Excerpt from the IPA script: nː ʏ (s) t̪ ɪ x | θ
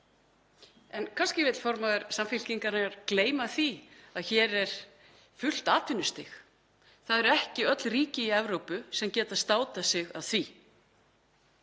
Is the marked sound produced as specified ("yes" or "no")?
yes